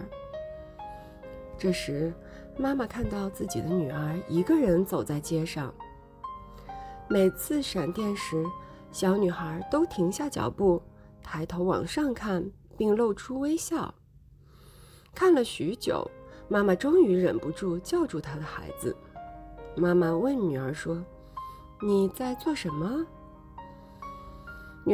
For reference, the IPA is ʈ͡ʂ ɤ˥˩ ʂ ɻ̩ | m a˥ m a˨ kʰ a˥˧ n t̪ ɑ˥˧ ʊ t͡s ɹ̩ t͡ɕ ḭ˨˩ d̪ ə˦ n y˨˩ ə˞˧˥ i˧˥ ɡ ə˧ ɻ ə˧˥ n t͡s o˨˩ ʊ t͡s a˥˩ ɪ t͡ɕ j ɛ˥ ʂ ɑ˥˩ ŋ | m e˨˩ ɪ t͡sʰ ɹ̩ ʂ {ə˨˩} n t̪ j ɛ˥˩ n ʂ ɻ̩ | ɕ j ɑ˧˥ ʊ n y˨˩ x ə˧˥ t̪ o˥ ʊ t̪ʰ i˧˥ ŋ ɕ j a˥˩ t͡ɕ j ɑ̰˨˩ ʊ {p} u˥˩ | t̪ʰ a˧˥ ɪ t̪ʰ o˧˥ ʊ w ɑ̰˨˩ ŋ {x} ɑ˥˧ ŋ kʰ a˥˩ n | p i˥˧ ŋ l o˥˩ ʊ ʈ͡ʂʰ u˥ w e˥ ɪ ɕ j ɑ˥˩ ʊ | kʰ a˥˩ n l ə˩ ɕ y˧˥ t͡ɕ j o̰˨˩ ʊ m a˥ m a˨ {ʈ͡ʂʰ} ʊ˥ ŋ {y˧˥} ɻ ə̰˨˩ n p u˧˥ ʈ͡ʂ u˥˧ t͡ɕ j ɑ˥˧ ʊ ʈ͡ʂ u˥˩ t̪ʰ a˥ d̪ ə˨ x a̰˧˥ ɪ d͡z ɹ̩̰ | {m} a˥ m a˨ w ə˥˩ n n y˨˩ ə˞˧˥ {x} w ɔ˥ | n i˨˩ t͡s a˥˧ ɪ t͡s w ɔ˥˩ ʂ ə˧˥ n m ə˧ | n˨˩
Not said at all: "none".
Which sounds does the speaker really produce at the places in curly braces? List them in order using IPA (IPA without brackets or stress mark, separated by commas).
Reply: a˨˩, p, ʂ, ʈ͡ʂ, y˧˥, m, ʂ